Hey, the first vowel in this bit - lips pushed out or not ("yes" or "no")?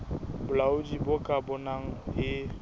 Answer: yes